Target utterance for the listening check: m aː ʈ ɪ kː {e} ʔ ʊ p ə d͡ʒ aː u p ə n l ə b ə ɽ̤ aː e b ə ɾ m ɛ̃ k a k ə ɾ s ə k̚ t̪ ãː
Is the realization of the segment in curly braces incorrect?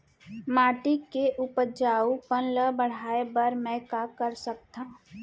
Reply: no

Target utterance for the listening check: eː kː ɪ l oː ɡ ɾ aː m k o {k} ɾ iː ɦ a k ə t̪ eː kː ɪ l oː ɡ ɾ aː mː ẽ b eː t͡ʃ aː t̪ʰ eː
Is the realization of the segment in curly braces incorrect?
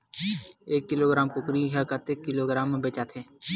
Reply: no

